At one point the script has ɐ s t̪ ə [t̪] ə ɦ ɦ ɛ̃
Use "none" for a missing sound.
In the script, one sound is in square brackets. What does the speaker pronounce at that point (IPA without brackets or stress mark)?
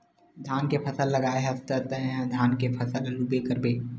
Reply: t̪